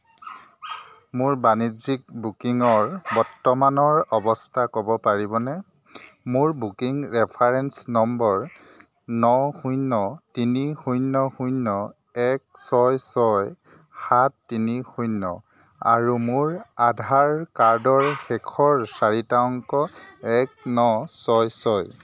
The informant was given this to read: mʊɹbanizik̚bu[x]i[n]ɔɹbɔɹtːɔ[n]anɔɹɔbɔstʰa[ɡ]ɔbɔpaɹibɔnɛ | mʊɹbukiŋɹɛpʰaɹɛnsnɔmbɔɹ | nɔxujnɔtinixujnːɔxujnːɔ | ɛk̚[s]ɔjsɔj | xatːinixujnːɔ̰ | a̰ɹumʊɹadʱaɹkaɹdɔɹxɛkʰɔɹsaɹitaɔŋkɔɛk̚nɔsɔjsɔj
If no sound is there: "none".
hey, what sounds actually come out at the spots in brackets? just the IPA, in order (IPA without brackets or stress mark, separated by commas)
k, ŋ, m, k, s